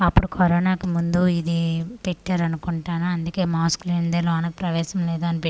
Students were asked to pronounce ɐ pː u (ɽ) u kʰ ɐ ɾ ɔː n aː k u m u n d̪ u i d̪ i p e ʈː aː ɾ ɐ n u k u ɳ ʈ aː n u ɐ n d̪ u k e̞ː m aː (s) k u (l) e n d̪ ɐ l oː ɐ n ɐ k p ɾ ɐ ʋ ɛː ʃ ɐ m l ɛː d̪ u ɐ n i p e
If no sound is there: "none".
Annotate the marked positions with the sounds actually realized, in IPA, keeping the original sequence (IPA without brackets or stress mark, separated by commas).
ɽ, s, l